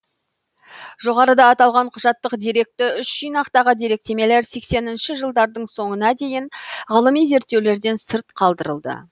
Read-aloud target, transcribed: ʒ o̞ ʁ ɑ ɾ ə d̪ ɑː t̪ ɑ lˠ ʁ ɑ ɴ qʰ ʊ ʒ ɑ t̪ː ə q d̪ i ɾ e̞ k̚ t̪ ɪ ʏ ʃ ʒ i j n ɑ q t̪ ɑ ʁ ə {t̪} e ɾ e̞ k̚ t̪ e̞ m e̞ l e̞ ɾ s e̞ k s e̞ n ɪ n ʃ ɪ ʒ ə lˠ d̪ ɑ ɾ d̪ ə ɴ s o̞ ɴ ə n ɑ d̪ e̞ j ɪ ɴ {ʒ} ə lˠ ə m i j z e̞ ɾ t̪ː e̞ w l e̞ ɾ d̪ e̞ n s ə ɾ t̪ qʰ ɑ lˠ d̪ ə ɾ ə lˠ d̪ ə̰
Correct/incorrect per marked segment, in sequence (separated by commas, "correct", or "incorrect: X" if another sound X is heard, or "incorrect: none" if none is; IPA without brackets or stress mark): incorrect: d̪, incorrect: ʁ